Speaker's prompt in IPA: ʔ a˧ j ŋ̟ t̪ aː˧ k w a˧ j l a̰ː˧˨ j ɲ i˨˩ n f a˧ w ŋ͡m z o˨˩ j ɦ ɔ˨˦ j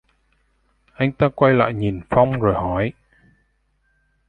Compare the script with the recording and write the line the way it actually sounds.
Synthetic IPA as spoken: ʔ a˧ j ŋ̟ t̪ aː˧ k w a˧ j l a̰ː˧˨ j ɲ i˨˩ n f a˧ w ŋ͡m z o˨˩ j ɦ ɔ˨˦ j